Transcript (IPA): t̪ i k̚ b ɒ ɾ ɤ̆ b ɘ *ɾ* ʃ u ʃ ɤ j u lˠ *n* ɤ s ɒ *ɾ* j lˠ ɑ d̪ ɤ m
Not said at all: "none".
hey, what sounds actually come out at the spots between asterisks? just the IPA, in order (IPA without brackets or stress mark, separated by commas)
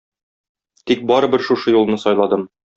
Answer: ɾ, n, none